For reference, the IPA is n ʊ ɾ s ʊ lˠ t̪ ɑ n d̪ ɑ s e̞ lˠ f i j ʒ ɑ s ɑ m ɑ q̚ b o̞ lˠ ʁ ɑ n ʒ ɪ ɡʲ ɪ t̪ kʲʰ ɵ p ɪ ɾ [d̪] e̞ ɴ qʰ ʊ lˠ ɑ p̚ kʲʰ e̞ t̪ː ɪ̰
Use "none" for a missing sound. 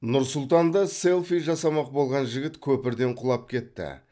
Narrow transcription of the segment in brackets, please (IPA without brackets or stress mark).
d̪